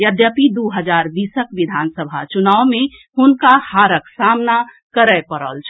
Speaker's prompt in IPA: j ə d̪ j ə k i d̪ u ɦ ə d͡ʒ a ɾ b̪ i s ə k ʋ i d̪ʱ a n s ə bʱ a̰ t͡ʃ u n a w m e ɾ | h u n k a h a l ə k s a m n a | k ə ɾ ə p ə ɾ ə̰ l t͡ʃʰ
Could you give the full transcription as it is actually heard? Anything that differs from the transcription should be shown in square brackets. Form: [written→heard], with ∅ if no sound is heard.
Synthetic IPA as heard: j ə d̪ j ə [k→p] i d̪ u ɦ ə d͡ʒ a ɾ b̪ i s ə k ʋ i d̪ʱ a n s ə bʱ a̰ t͡ʃ u n a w m e [ɾ→∅] | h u n k a h a [l→ɾ] ə k s a m n a | k ə ɾ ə p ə ɾ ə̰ l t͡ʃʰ